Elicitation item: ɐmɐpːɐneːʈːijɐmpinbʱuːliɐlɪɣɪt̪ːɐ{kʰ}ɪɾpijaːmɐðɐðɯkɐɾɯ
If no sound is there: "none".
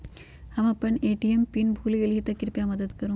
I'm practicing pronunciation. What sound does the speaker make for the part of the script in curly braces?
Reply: k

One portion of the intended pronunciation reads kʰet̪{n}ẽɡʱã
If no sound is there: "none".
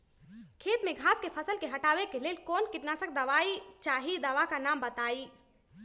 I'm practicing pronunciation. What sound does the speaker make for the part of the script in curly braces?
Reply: m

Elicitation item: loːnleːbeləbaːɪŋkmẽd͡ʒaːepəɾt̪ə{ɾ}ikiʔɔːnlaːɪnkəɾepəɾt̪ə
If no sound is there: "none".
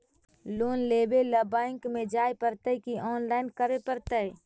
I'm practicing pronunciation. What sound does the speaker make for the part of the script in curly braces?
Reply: none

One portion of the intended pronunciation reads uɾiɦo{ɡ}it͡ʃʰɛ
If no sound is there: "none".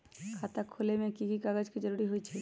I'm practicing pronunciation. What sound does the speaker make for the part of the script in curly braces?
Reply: none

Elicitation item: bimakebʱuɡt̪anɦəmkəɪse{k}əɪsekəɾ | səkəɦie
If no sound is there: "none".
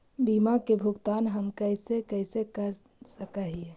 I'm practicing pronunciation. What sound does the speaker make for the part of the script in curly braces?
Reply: k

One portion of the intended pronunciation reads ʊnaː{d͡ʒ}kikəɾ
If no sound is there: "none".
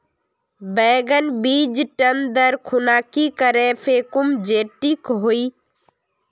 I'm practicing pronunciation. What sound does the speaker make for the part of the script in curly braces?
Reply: none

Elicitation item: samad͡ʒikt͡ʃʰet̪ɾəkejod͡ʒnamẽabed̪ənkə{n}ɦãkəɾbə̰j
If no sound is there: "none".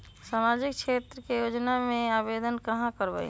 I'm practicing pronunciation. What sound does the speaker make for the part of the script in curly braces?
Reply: none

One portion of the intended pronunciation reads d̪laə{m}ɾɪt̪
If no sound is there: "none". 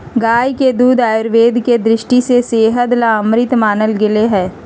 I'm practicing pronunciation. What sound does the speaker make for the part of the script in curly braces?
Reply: m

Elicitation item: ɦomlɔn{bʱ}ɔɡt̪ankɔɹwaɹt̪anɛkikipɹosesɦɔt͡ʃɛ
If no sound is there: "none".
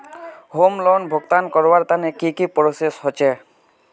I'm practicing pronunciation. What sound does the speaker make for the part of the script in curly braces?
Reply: bʱ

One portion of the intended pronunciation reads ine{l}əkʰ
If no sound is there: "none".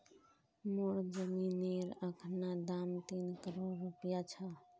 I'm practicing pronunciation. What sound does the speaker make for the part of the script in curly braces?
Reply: ɾ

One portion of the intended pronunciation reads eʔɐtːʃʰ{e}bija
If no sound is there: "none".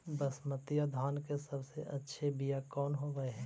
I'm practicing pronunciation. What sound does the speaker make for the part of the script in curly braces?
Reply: e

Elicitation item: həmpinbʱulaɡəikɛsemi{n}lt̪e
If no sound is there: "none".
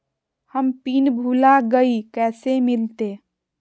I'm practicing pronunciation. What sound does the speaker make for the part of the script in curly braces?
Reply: none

